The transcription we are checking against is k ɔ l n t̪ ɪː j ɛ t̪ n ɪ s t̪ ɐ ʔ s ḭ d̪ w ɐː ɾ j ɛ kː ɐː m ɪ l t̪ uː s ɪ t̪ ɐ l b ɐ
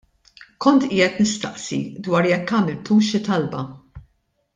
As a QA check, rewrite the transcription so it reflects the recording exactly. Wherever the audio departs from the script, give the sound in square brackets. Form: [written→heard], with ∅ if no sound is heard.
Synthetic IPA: k ɔ [l→∅] n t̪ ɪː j ɛ t̪ n ɪ s t̪ ɐ ʔ s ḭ d̪ w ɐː ɾ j ɛ kː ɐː m ɪ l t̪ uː [s→ʃ] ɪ t̪ ɐ l b ɐ